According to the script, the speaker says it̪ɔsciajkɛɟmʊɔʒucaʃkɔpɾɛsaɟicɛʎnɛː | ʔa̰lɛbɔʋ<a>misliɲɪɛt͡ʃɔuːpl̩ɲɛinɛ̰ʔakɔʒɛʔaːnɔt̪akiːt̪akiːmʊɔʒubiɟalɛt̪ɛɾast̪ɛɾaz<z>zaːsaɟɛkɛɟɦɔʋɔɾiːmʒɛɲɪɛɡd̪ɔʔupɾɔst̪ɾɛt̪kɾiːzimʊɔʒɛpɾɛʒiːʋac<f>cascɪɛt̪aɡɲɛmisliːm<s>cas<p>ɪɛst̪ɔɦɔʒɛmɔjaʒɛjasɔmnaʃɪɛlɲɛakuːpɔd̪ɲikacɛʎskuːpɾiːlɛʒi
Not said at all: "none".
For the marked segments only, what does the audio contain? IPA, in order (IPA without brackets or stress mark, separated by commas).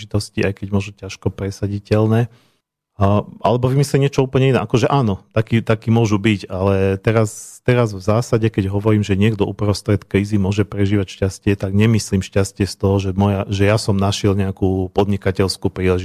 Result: i, v, ʃ, ʃ, c